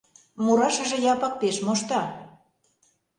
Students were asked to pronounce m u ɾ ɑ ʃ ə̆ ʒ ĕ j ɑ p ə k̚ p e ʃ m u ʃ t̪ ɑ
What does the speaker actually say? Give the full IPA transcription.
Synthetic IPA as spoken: m u ɾ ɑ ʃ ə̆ ʒ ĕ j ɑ p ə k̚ p e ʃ m o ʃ t̪ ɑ